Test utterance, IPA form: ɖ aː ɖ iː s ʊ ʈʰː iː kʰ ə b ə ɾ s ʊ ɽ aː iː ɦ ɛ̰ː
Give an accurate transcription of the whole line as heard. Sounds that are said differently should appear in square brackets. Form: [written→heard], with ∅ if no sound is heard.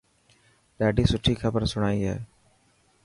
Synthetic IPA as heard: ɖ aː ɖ iː s ʊ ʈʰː iː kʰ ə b ə ɾ s ʊ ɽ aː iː ɦ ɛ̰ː